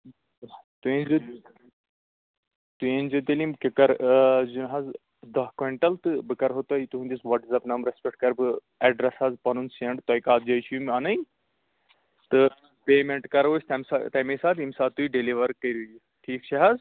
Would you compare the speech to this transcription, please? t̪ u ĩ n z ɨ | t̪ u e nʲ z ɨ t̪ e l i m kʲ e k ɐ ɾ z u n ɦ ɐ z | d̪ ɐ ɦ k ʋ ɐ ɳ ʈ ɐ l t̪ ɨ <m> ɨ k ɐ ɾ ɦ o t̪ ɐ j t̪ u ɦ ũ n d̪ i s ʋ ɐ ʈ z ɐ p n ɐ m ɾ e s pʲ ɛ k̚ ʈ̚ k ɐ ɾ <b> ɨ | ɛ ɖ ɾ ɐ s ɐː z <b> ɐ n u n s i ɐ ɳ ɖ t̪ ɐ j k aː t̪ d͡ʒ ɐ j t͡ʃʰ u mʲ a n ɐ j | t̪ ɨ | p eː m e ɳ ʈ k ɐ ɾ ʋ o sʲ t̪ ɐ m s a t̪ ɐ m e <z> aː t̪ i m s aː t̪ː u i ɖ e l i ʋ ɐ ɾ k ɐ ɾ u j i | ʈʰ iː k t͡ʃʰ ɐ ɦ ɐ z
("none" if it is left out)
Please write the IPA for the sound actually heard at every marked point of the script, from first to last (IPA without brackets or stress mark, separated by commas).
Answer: b, b, p, s